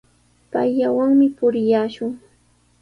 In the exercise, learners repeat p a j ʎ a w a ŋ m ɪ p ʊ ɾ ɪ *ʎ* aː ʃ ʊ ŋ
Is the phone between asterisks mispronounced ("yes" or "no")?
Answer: yes